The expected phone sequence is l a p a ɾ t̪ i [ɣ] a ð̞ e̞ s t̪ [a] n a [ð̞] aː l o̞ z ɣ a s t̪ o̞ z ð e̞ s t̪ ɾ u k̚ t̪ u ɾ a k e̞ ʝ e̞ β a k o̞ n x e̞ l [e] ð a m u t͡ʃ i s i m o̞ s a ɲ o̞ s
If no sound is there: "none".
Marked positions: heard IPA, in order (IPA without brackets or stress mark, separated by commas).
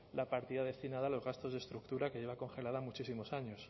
ð, i, ð̞, a